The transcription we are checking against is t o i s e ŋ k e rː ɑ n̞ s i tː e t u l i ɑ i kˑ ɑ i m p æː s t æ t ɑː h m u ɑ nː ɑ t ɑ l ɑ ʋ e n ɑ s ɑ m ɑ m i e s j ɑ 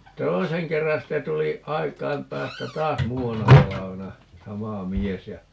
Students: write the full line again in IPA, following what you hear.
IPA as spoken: t o i s e ŋ k e rː ɑ n̞ s i tː e t u l i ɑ i kˑ ɑ i m p æː s t æ t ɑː s m uː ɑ nː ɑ t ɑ l ɑ ʋ e n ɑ s ɑ m ɑ m i e s j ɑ